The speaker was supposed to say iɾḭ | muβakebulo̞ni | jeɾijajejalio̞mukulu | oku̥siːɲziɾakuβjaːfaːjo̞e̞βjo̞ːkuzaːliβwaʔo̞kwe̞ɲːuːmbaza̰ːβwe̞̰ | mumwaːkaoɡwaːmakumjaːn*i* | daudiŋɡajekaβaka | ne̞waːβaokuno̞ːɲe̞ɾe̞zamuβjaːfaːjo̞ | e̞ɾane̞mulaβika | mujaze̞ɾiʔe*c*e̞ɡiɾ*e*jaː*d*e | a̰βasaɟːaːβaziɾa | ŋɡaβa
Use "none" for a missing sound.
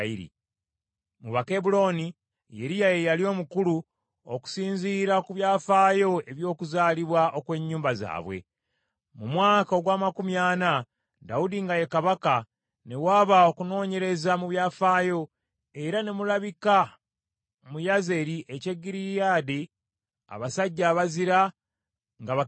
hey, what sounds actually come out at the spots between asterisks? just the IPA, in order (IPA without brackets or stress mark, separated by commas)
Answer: a, c, i, d